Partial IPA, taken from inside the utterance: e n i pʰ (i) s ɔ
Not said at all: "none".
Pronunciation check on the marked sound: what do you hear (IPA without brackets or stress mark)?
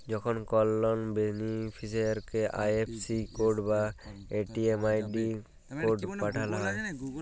i